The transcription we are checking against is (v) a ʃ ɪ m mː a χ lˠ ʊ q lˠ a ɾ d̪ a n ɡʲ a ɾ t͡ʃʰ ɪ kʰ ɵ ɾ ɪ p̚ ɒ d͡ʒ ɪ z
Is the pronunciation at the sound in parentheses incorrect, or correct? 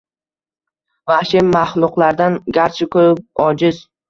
correct